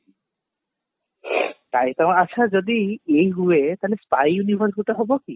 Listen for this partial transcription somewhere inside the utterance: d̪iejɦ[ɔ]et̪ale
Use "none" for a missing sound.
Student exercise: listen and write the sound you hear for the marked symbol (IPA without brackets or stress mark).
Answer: u